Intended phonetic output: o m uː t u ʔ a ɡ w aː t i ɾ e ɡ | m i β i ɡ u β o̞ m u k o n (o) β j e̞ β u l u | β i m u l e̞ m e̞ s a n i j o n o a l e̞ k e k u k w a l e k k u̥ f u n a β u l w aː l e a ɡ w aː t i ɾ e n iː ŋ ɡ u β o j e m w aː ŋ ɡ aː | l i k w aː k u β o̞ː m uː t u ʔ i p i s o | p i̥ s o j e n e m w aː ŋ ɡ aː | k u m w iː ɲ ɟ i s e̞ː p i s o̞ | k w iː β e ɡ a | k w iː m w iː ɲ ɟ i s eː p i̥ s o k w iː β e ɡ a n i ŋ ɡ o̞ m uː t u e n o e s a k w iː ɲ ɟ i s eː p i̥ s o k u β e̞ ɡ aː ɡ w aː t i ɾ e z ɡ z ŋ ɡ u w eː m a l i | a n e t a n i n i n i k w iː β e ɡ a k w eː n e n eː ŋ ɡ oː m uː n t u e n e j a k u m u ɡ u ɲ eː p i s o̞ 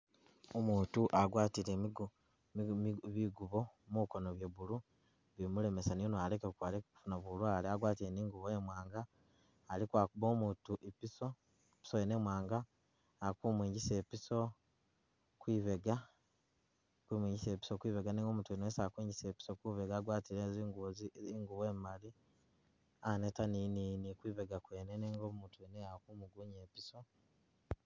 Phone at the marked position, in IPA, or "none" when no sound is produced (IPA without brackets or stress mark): o